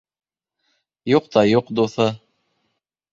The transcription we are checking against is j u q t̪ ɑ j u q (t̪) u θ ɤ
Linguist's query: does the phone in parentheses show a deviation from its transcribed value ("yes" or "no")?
yes